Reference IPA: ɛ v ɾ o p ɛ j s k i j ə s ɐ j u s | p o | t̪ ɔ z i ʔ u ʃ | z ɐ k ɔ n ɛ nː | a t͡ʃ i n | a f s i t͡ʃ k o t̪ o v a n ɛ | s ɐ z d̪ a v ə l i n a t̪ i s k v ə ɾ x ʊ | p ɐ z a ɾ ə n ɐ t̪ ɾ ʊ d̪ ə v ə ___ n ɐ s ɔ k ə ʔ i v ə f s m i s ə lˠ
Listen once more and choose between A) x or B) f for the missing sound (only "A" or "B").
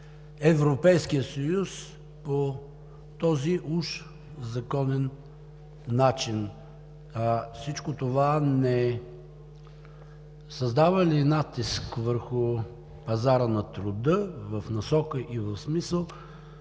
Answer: B